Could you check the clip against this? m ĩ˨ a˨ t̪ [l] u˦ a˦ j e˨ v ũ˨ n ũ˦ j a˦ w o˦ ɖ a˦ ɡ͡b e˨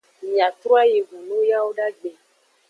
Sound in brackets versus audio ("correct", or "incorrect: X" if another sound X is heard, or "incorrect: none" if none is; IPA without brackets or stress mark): incorrect: ɾ